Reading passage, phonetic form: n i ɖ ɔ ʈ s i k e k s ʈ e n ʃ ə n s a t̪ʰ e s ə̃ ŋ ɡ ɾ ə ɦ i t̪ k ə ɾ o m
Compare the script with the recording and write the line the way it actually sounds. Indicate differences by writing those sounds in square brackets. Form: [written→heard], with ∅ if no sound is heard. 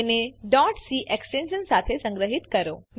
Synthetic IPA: n [i→e] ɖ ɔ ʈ s i [k→ʔ] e k s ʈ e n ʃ ə n s a t̪ʰ e s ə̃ ŋ ɡ ɾ ə ɦ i t̪ k ə ɾ o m